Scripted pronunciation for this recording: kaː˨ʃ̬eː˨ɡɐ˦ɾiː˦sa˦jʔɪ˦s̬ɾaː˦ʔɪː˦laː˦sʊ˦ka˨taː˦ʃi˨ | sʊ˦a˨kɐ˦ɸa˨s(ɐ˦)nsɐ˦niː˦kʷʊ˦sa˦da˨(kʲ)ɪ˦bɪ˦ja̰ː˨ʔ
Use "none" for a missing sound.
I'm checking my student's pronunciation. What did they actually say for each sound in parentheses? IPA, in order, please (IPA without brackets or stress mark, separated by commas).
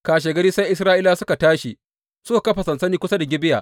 ɐ˨, ɡʲ